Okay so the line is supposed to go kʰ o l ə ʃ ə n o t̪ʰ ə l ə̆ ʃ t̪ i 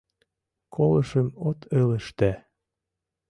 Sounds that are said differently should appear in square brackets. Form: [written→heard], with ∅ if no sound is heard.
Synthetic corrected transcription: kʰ o l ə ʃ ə [n→m] o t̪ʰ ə l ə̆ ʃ t̪ [i→æ]

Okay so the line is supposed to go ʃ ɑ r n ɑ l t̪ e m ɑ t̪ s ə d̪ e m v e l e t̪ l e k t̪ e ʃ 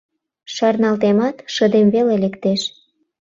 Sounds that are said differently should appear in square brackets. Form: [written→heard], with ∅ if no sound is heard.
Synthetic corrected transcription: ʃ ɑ r n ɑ l t̪ e m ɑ t̪ [s→ʃ] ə d̪ e m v e l e [t̪→∅] l e k t̪ e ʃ

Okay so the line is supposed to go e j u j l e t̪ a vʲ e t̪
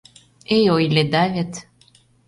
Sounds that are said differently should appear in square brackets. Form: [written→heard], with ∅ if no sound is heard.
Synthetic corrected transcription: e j [u→o] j l e [t̪→d̪] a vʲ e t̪

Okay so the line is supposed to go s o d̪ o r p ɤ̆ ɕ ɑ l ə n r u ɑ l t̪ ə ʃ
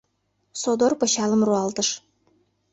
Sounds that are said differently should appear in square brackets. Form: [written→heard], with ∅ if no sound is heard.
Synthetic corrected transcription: s o d̪ o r p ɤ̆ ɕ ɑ l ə [n→m] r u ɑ l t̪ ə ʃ

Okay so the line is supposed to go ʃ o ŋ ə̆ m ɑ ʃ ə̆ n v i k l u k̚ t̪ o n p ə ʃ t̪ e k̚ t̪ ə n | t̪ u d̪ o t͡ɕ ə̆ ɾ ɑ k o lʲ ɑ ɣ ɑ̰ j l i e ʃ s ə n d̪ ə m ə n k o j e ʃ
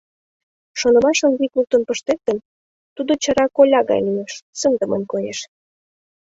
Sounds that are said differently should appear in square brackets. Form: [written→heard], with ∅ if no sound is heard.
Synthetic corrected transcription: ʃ o [ŋ→n] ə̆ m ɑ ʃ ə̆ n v i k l u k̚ t̪ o n p ə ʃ t̪ e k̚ t̪ ə n | t̪ u d̪ o t͡ɕ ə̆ ɾ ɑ k o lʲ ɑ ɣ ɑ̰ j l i e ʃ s ə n d̪ ə m ə n k o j e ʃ

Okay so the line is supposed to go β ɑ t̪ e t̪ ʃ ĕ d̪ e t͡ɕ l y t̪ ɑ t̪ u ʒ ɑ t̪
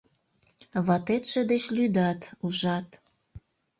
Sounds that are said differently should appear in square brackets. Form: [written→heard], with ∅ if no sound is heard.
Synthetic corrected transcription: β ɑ t̪ e t̪ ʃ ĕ d̪ e t͡ɕ l y [t̪→d̪] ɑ t̪ u ʒ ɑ t̪

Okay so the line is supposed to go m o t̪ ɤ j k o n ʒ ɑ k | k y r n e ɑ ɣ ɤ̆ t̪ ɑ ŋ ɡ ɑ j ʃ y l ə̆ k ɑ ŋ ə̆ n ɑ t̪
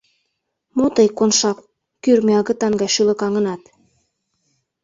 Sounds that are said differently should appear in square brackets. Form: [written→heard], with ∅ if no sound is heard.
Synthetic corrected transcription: m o t̪ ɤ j k o n [ʒ→ʃ] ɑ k | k y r [n→m] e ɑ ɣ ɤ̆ t̪ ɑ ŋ ɡ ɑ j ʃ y l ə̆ k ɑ ŋ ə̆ n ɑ t̪

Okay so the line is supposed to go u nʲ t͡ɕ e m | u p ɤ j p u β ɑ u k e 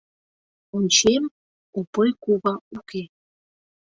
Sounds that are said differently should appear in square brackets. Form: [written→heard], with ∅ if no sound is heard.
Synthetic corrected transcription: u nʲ t͡ɕ e m | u p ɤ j [p→k] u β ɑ u k e

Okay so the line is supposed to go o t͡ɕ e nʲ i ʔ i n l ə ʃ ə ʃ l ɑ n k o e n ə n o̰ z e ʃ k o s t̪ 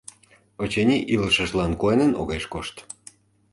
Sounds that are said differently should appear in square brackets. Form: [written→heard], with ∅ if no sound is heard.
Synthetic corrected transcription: o t͡ɕ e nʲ i ʔ i [n→∅] l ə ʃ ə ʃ l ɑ n k o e n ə n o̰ [z→ɣ] e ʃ k o [s→ʃ] t̪

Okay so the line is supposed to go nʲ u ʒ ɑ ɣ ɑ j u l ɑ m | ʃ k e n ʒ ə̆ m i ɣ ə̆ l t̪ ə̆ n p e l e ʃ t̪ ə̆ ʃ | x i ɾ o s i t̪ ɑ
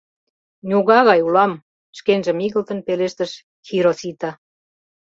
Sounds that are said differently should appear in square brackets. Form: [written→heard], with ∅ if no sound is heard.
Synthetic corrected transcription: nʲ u [ʒ→ɣ] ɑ ɣ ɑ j u l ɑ m | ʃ k e n ʒ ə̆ m i ɣ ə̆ l t̪ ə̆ n p e l e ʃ t̪ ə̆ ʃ | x i ɾ o s i t̪ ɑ

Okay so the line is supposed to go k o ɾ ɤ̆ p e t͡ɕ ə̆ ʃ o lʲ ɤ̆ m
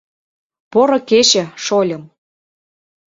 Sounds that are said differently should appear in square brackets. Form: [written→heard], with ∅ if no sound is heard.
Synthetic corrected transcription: [k→p] o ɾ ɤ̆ [p→k] e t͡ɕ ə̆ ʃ o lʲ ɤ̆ m

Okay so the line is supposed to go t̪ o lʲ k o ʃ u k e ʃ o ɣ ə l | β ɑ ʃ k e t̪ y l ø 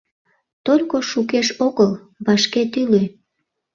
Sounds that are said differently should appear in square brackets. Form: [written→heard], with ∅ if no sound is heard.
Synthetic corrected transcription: t̪ o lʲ k o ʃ u k e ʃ o ɣ ə l | β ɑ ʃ k e t̪ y l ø

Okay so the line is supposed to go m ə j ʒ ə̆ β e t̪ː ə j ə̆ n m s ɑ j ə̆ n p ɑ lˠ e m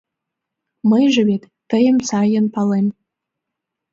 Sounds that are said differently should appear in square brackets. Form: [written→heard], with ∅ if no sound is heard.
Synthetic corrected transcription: m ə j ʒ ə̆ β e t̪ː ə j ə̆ [n→∅] m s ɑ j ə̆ n p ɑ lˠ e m

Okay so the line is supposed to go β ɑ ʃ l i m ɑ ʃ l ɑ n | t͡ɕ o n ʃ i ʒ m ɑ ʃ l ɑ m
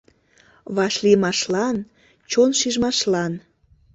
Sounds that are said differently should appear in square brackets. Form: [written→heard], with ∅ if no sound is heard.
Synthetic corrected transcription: β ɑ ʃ l i m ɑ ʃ l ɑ n | t͡ɕ o n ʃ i ʒ m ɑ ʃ l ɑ [m→n]

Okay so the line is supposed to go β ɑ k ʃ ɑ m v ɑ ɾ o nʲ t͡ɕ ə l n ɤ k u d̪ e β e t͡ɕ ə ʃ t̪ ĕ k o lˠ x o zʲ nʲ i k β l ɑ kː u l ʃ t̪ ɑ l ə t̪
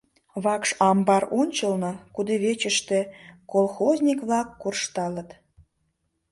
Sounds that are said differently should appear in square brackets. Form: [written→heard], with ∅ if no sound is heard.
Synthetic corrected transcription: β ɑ k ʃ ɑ m [v→b] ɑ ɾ o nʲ t͡ɕ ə l n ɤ k u d̪ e β e t͡ɕ ə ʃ t̪ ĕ k o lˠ x o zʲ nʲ i k β l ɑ kː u [l→r] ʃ t̪ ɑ l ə t̪

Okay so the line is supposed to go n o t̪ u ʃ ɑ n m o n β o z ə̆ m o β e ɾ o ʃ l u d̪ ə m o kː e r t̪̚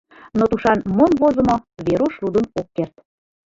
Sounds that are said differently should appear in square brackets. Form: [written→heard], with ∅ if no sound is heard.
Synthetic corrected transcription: n o t̪ u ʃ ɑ n m o n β o z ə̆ m o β e ɾ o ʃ l u d̪ ə [m→n] o kː e r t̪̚

